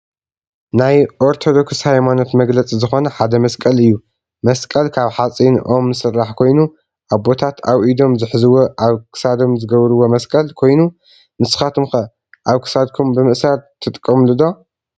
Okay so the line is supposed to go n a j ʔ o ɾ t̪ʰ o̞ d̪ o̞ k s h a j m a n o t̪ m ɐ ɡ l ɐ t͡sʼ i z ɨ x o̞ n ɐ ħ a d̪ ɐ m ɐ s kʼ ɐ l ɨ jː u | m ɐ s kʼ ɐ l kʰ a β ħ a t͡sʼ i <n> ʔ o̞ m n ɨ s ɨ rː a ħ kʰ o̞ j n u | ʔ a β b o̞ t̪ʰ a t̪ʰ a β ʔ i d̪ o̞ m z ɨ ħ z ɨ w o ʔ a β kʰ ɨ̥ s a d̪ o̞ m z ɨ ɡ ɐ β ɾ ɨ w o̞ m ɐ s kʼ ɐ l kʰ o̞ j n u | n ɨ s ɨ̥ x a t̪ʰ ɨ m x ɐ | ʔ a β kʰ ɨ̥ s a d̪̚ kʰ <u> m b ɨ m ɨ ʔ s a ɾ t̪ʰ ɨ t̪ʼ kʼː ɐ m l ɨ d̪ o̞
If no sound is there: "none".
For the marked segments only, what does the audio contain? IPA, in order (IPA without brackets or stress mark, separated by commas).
n, u